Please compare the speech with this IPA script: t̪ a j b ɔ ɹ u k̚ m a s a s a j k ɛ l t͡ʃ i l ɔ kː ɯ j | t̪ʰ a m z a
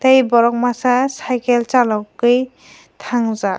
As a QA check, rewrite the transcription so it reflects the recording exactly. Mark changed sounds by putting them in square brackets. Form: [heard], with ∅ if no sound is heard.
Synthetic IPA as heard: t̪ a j b ɔ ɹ [ɔ] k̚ m a s a s a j k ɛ l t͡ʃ [a] l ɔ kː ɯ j | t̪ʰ a [ŋ] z a